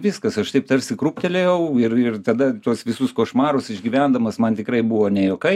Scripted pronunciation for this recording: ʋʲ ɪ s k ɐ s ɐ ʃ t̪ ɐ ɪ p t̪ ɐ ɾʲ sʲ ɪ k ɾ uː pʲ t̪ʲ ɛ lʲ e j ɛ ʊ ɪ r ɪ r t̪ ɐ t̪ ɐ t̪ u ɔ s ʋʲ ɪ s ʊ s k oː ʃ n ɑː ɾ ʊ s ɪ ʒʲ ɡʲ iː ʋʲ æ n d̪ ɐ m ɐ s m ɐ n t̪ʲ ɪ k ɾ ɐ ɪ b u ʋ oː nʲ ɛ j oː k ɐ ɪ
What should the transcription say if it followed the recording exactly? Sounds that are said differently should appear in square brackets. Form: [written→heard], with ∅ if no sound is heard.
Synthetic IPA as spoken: ʋʲ ɪ s k ɐ s ɐ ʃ t̪ ɐ ɪ p t̪ ɐ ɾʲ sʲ ɪ k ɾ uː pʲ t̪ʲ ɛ lʲ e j ɛ ʊ ɪ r ɪ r t̪ ɐ [t̪→d̪] ɐ t̪ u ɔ s ʋʲ ɪ s ʊ s k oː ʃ [n→m] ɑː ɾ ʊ s ɪ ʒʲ ɡʲ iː ʋʲ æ n d̪ ɐ m ɐ s m ɐ n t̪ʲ ɪ k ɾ ɐ ɪ b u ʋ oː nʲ ɛ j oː k ɐ ɪ